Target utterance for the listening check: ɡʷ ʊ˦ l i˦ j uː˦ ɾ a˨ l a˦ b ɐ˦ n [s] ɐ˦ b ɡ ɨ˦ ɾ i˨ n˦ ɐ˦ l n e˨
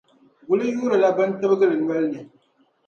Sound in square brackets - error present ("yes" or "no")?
yes